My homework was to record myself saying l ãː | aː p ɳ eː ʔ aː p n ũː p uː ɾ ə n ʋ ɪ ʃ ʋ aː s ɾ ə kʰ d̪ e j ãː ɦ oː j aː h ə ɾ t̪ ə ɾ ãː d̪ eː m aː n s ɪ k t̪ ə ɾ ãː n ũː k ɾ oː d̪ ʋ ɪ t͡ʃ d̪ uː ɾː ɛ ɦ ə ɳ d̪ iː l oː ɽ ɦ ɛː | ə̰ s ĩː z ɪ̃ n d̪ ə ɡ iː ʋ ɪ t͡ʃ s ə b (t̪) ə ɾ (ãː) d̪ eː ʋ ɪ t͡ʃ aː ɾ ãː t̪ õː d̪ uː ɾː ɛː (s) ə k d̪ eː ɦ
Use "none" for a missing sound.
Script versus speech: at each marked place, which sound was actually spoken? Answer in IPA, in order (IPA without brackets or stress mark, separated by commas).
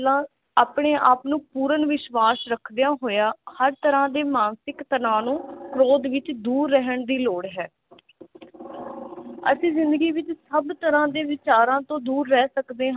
t̪, ãː, s